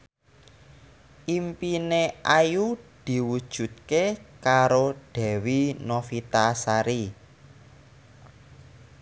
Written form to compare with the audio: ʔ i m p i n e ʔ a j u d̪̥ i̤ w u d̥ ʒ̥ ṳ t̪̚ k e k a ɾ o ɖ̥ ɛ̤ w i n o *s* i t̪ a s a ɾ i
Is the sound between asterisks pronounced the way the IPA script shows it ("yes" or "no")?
no